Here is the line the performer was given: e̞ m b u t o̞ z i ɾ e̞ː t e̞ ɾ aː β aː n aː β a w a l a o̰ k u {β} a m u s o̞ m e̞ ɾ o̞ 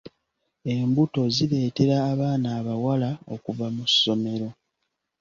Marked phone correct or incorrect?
incorrect